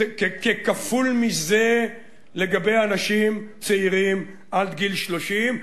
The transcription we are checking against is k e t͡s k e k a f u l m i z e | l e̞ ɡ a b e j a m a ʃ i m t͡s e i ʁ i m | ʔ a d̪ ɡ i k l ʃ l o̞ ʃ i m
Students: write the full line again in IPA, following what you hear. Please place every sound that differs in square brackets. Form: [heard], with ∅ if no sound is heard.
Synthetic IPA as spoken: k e [∅] k e k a f u l m i z e | l e̞ ɡ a b e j a [n] a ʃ i m t͡s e i ʁ i m | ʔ a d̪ ɡ i [∅] l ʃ l o̞ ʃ i m